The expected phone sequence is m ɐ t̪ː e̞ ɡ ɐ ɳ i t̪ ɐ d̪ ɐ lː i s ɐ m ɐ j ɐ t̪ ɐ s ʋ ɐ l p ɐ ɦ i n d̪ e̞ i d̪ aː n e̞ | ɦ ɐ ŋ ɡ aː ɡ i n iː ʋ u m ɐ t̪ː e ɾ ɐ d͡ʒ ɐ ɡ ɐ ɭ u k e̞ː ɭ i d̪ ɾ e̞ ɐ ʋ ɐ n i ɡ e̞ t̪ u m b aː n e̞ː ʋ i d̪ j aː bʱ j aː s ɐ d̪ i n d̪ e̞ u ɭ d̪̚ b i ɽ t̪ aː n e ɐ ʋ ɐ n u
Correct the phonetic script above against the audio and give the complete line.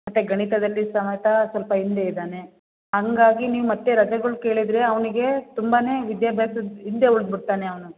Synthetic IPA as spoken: m ɐ t̪ː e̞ ɡ ɐ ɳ i t̪ ɐ d̪ ɐ lː i s ɐ m ɐ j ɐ t̪ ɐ s ʋ ɐ l p ɐ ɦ i n d̪ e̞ i d̪ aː n e̞ | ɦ ɐ ŋ ɡ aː ɡ i n iː ʋ u m ɐ t̪ː e ɾ ɐ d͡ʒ ɐ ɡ ɐ ɭ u k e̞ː ɭ i d̪ ɾ e̞ ɐ ʋ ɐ n i ɡ e̞ t̪ u m b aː n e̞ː ʋ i d̪ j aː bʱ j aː s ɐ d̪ i n d̪ e̞ u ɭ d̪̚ b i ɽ t̪ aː n e ɐ ʋ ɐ n u